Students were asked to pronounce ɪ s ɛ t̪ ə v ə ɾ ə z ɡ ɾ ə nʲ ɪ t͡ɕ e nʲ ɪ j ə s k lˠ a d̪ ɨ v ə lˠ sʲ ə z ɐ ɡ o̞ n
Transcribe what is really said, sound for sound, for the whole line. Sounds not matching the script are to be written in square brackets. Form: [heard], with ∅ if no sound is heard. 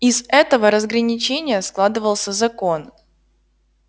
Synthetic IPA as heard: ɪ [z] ɛ t̪ ə v ə ɾ ə z ɡ ɾ ə nʲ ɪ t͡ɕ e nʲ ɪ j ə s k lˠ a d̪ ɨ v ə lˠ sʲ ə z ɐ [k] o̞ n